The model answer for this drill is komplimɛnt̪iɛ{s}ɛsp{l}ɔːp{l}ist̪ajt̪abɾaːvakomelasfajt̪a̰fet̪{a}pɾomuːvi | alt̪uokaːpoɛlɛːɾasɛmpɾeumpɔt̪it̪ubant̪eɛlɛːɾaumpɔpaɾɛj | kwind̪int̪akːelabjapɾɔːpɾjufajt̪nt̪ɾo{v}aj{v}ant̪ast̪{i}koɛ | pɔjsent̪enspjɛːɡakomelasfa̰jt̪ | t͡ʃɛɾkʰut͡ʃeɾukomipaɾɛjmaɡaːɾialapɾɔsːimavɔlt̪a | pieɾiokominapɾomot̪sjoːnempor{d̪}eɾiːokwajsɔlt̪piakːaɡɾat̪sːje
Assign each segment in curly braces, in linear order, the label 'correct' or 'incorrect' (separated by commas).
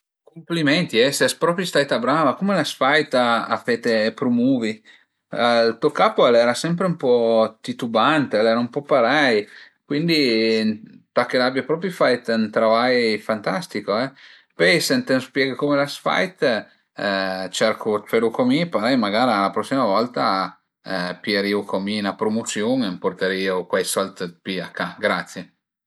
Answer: correct, incorrect, incorrect, incorrect, correct, incorrect, correct, incorrect